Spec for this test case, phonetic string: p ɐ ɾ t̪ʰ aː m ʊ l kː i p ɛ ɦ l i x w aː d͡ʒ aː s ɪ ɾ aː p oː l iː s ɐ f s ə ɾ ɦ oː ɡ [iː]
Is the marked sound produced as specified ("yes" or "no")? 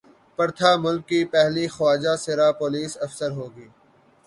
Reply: yes